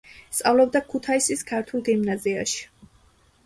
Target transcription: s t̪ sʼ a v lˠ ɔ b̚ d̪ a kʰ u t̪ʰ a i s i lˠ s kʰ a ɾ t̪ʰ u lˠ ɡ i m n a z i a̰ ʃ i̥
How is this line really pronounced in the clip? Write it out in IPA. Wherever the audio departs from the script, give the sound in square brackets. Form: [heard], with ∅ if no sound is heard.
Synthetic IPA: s t̪ sʼ a v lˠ ɔ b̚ d̪ a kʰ u t̪ʰ a i s i [∅] s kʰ a ɾ t̪ʰ u lˠ ɡ i m n a z i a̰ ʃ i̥